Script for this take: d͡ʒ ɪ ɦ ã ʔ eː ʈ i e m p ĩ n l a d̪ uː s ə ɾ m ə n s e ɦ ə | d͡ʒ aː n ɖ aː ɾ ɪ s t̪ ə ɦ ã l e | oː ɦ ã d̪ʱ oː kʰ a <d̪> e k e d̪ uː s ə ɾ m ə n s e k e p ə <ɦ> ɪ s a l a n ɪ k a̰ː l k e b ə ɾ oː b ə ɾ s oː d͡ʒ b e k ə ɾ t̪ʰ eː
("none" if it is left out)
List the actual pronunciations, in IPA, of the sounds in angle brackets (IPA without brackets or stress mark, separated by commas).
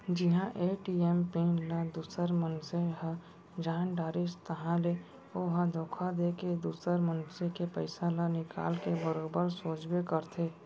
d̪, none